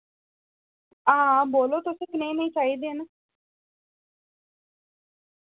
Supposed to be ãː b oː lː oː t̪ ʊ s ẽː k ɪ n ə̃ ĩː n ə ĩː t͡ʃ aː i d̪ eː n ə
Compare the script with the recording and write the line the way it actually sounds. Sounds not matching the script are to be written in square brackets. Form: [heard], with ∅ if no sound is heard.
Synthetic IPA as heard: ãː b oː [l] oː t̪ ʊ s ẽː k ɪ n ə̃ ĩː n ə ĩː t͡ʃ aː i d̪ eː n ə

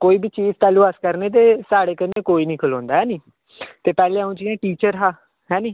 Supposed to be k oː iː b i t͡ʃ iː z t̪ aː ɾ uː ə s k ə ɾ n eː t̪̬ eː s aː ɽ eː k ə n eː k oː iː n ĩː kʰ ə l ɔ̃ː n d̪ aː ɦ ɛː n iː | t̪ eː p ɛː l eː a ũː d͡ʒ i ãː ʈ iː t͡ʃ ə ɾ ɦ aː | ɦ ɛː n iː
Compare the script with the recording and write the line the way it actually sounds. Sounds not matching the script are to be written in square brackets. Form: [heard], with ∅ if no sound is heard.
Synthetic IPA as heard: k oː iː b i t͡ʃ iː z t̪ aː [l] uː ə s k ə ɾ n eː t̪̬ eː s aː ɽ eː k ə n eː k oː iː n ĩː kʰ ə l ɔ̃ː n d̪ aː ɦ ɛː n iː | t̪ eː p ɛː l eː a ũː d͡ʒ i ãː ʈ iː t͡ʃ ə ɾ ɦ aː | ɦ ɛː n iː

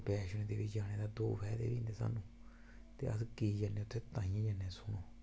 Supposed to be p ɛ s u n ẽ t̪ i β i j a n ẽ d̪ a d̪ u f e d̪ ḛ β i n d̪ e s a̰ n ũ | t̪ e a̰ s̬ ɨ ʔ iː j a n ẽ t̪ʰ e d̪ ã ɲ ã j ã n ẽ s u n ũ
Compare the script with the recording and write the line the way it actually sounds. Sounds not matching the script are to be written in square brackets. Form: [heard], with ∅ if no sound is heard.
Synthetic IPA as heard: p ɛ [ʃ] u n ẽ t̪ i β i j a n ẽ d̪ a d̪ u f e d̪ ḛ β i n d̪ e s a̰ n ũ | t̪ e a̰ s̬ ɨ [k] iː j a n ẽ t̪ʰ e [t̪] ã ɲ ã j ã n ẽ s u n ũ

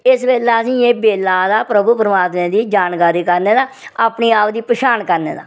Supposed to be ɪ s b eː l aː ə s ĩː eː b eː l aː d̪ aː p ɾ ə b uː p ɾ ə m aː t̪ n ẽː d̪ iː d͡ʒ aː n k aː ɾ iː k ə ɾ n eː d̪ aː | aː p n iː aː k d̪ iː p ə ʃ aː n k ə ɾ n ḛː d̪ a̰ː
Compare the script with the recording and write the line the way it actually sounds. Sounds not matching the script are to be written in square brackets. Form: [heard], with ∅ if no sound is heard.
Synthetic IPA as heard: ɪ s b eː l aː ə s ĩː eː b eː l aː d̪ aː p ɾ ə b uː p ɾ ə m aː t̪ [m] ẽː d̪ iː d͡ʒ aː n k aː ɾ iː k ə ɾ n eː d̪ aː | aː p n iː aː [p] d̪ iː p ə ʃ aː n k ə ɾ n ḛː d̪ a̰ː

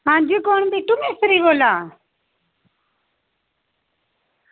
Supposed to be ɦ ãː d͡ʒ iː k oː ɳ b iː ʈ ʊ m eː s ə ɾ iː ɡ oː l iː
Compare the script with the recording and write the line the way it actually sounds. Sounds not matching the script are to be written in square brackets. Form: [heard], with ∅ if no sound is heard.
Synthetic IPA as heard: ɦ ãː d͡ʒ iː k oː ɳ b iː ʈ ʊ m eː s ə ɾ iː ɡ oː l [aː]

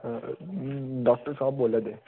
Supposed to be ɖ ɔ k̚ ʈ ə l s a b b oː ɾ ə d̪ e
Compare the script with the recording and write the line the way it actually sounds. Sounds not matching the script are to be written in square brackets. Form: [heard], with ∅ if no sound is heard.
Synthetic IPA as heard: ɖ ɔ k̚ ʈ ə [ɾ] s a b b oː [l] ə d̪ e

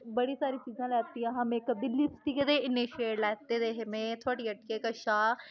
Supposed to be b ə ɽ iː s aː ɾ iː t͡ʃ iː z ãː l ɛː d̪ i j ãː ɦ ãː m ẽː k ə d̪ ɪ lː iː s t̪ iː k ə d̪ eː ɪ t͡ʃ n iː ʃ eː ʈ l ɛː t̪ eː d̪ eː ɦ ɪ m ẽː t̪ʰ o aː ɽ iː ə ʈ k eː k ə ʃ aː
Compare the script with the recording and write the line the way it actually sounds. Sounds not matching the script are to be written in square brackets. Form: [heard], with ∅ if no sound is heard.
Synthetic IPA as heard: b ə ɽ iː s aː ɾ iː t͡ʃ iː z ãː l ɛː [t̪] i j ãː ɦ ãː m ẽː k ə d̪ ɪ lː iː s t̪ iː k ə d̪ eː ɪ [∅] n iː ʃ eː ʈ l ɛː t̪ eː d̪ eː ɦ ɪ m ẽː t̪ʰ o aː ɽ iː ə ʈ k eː k ə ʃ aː

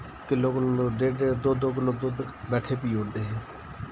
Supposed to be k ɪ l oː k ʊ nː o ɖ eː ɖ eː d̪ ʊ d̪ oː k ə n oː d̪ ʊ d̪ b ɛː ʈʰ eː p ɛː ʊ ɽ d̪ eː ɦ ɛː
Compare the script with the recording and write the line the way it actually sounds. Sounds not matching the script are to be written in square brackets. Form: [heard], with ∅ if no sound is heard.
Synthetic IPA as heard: k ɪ l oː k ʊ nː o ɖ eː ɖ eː d̪ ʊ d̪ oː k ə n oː d̪ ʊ d̪ b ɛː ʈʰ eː p [iː] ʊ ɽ d̪ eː ɦ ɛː

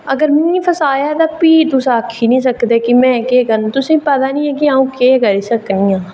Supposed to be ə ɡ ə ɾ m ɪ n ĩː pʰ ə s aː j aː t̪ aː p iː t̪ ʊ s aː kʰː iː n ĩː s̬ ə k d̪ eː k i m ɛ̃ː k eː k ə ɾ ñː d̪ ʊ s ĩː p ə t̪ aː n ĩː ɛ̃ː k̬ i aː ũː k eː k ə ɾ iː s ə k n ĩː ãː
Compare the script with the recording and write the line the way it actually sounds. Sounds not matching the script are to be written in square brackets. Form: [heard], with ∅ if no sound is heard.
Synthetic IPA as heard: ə ɡ ə ɾ m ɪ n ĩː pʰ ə s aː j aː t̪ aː p iː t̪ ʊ s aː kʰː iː n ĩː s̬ ə k d̪ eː k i m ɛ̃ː k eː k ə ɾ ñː [t̪] ʊ s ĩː p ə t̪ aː n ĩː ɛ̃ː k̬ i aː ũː k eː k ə ɾ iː s ə k n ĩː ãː

